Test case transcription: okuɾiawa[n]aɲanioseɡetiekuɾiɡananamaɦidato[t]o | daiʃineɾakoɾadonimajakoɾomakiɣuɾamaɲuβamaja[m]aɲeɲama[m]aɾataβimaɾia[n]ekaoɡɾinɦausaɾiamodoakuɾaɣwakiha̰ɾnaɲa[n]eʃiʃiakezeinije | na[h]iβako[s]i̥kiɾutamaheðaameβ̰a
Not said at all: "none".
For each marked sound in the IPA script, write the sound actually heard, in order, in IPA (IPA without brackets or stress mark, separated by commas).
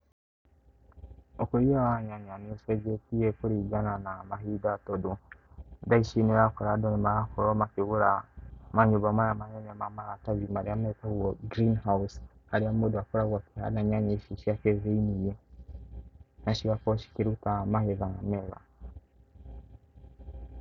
ɲ, d, m, m, m, ɲ, ʃ, ʃ